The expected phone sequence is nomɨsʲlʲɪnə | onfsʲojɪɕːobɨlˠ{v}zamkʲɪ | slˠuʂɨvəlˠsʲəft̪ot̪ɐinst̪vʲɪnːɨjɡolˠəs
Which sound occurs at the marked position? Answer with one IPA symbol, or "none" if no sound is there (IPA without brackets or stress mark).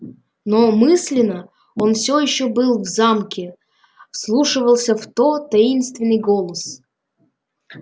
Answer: v